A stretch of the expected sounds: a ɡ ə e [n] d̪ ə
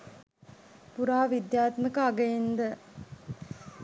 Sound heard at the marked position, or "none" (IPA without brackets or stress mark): n